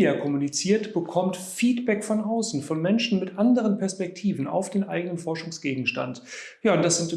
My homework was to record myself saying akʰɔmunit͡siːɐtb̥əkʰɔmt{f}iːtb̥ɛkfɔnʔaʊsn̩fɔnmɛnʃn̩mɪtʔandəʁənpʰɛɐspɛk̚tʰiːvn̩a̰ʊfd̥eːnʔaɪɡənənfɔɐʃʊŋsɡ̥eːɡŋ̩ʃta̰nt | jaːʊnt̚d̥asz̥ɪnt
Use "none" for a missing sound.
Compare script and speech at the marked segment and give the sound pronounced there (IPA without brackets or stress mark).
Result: f